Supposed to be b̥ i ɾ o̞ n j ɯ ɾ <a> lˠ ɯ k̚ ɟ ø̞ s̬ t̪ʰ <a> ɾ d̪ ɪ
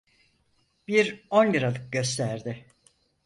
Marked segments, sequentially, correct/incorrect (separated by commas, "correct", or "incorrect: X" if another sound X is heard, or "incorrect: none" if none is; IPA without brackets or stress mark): correct, incorrect: æ